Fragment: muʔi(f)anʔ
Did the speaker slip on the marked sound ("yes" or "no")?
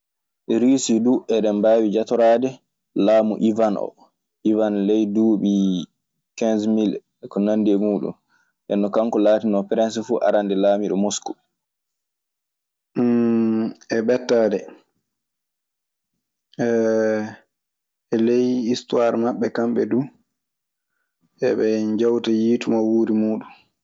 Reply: yes